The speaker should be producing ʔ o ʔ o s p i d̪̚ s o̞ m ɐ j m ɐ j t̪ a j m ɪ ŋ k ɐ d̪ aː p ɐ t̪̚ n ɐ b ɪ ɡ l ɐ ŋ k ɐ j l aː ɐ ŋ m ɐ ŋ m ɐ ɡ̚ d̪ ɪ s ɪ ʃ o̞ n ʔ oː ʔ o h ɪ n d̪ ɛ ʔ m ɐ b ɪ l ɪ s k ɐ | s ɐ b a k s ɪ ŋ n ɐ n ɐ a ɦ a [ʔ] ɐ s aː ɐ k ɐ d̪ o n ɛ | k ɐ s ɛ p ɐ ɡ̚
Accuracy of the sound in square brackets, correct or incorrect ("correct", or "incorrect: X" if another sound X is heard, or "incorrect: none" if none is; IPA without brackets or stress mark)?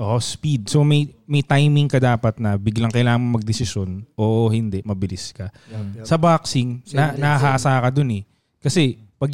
correct